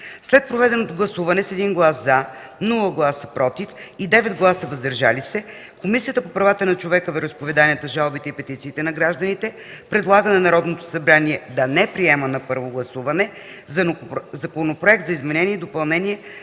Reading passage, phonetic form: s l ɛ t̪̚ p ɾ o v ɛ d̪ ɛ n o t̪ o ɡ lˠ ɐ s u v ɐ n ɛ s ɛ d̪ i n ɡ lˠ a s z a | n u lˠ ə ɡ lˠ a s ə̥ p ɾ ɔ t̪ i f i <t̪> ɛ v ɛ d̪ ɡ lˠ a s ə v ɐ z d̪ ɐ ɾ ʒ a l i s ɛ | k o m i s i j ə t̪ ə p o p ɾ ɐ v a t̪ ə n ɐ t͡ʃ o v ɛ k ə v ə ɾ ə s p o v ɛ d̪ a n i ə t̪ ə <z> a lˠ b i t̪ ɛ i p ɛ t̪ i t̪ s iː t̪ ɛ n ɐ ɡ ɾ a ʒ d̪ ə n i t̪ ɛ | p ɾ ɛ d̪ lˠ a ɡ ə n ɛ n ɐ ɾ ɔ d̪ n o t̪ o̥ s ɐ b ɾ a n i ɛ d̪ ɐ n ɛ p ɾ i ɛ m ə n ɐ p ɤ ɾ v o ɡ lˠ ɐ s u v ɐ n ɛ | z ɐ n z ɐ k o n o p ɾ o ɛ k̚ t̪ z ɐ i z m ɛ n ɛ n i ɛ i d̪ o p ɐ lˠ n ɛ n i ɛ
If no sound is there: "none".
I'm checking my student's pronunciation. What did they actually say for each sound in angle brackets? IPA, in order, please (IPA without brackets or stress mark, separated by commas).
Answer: d̪, ʒ